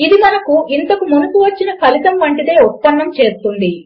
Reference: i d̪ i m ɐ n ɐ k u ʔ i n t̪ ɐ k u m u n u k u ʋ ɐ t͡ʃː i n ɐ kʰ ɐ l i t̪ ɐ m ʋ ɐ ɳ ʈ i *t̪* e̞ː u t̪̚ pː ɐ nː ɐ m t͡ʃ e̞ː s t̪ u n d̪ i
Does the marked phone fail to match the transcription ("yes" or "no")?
yes